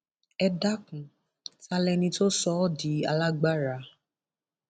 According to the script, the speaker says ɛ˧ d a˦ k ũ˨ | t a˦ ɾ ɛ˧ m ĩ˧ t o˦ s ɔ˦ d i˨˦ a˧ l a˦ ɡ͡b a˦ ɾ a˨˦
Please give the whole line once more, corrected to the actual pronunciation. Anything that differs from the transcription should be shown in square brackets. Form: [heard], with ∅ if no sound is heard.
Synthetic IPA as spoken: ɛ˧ d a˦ k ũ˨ | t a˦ [l] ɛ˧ [n] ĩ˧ t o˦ s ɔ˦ d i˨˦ a˧ l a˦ ɡ͡b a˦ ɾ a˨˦

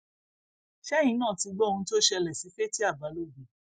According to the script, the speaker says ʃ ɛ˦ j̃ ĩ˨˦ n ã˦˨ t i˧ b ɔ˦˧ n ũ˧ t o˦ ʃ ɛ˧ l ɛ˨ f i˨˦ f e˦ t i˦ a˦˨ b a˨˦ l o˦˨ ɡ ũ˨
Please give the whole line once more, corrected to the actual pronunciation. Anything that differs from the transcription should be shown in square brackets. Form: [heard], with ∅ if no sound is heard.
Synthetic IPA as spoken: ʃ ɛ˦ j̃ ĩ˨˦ n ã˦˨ t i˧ [ɡ͡b] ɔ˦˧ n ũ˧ t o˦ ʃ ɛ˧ l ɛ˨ [s] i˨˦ f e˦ t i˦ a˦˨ b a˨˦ l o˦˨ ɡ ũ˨

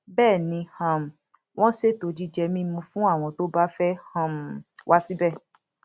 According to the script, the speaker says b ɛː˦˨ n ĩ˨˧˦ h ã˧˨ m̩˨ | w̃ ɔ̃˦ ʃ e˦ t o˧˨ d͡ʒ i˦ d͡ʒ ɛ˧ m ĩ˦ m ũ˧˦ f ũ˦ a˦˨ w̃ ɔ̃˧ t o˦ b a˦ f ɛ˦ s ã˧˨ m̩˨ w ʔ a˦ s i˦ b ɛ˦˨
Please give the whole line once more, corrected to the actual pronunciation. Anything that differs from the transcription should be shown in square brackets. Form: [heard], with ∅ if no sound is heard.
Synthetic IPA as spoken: b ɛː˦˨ n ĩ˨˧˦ h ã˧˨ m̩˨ | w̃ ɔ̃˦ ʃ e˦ t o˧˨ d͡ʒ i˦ d͡ʒ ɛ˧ m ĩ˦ m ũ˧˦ f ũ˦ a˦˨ w̃ ɔ̃˧ t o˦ b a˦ f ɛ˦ [h] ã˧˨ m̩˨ w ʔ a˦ s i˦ b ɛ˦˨

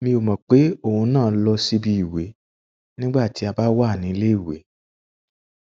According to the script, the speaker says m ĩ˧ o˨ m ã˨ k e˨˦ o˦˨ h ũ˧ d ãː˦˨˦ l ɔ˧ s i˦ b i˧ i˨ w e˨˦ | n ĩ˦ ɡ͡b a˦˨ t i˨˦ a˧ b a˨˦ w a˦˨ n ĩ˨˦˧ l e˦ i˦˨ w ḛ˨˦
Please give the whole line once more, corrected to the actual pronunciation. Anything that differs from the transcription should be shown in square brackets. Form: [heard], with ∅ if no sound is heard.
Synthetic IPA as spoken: m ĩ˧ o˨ m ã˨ [k͡p] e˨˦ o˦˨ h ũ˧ [n] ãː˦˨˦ l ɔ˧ s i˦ b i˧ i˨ w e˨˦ | n ĩ˦ ɡ͡b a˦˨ t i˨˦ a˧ b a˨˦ w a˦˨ n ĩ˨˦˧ l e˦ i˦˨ w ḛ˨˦

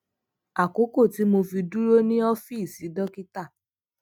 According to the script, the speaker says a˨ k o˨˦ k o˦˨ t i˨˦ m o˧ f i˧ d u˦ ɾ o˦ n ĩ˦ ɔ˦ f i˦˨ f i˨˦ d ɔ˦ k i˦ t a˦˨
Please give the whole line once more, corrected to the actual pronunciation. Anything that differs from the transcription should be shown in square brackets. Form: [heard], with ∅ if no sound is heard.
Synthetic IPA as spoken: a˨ k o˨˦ k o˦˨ t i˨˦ m o˧ f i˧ d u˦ ɾ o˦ n ĩ˦ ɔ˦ f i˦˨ [s] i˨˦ d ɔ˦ k i˦ t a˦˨

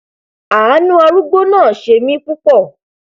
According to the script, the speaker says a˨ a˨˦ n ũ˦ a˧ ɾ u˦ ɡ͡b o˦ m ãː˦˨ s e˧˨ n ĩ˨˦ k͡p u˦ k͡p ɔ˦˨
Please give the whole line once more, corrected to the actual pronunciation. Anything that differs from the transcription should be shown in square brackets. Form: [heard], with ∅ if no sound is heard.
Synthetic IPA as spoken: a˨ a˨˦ n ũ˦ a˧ ɾ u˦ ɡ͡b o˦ [n] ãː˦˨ [ʃ] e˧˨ [m] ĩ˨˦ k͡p u˦ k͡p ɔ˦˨

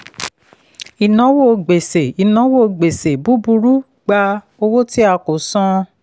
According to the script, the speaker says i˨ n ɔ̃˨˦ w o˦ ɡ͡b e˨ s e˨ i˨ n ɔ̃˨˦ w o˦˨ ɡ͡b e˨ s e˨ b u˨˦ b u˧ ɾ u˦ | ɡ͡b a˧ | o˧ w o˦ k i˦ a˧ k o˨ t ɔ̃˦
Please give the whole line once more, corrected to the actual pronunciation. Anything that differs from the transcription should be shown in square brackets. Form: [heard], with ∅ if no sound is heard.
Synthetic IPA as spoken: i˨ n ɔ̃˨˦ w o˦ ɡ͡b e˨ s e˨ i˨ n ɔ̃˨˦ w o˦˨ ɡ͡b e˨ s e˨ b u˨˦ b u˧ ɾ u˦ | ɡ͡b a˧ | o˧ w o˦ [t] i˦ a˧ k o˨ [s] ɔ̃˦

